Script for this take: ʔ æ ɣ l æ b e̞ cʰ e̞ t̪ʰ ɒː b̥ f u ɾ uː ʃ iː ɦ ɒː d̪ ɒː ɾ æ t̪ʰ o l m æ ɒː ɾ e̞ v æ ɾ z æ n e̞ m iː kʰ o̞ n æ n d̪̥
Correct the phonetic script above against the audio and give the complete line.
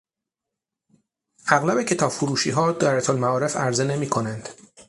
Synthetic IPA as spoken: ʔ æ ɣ l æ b e̞ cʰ e̞ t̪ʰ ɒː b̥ f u ɾ uː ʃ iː ɦ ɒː d̪ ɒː ɾ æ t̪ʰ o l m æ ɒː ɾ e̞ f æ ɾ z e n e̞ m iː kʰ o̞ n æ n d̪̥